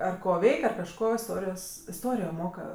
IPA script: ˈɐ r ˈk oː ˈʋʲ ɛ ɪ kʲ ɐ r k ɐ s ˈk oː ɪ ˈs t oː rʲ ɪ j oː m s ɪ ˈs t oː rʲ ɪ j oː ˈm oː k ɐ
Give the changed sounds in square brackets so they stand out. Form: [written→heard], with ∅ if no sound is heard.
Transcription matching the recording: ˈɐ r ˈk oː ˈʋʲ ɛ ɪ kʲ ɐ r k ɐ [s→ʃ] ˈk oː ɪ ˈs t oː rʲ ɪ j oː [m→∅] s ɪ ˈs t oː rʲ ɪ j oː ˈm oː k ɐ